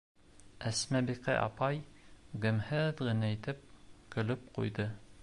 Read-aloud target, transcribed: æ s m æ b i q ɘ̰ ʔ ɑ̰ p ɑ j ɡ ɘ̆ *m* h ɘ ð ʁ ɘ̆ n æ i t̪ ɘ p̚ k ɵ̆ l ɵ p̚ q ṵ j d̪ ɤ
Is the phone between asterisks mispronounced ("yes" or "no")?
no